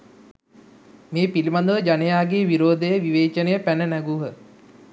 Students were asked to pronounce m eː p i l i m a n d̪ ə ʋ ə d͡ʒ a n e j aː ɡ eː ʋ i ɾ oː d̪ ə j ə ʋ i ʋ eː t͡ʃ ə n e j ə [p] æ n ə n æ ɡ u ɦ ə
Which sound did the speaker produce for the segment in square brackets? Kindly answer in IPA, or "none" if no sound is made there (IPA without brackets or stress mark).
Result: p